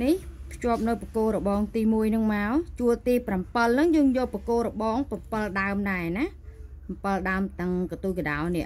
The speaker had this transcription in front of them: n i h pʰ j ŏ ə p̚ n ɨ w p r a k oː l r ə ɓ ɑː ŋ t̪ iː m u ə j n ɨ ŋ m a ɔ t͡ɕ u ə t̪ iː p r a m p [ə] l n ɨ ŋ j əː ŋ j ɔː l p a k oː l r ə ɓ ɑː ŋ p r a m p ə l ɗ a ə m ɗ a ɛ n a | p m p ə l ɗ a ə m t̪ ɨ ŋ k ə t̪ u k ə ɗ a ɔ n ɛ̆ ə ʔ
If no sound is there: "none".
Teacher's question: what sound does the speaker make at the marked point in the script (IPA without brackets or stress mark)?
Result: ə